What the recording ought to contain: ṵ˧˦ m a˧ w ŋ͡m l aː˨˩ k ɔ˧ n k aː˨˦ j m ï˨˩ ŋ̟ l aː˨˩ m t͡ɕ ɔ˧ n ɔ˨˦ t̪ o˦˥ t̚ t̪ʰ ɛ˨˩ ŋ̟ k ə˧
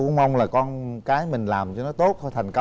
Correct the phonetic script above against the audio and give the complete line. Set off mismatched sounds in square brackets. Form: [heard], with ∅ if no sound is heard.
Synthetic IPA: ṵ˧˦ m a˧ w ŋ͡m l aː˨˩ k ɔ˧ n k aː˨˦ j m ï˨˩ ŋ̟ l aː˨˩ m t͡ɕ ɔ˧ n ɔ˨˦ t̪ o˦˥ t̚ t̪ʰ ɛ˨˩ ŋ̟ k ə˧